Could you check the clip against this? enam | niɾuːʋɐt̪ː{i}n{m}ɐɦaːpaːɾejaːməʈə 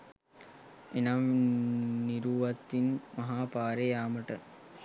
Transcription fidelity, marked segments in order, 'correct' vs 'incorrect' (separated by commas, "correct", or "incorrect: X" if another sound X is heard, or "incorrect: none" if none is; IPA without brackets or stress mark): correct, correct